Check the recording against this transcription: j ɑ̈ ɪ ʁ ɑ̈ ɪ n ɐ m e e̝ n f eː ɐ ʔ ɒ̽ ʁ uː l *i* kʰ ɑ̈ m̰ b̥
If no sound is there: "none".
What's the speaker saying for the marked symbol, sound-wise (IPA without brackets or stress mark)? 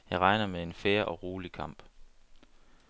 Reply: i